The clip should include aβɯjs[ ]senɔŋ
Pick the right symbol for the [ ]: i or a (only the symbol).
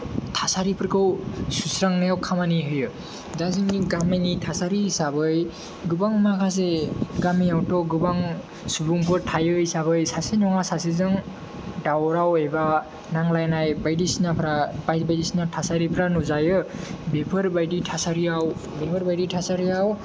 a